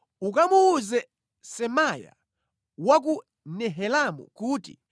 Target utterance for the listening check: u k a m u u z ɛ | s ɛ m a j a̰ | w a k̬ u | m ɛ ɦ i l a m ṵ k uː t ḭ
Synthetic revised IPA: u k a m u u z ɛ | s ɛ m a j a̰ | w a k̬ u | n ɛ ɦ ɛ l a m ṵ k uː t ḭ